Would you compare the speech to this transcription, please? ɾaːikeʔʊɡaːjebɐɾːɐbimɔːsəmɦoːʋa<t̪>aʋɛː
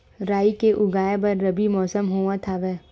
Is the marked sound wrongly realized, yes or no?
yes